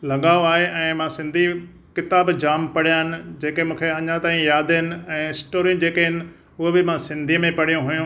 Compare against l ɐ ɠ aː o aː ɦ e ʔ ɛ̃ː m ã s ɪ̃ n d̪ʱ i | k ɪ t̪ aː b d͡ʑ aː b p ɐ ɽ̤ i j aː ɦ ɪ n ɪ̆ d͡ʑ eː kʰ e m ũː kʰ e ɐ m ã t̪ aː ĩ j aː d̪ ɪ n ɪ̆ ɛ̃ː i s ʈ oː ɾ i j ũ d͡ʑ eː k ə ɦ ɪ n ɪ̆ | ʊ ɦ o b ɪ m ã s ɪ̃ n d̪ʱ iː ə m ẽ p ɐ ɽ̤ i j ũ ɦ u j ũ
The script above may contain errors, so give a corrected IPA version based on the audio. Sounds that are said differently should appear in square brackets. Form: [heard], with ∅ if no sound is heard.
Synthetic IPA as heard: l ɐ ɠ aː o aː ɦ e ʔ ɛ̃ː m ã s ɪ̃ n d̪ʱ i | k ɪ t̪ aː b d͡ʑ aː [m] p ɐ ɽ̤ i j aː ɦ ɪ n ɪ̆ d͡ʑ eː [k] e m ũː kʰ e ɐ [ɲ] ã t̪ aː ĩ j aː d̪ ɪ n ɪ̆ ɛ̃ː [ɪ] s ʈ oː ɾ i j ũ d͡ʑ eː k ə ɦ ɪ n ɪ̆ | ʊ ɦ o b ɪ m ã s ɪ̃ n d̪ʱ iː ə m ẽ p ɐ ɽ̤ i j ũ ɦ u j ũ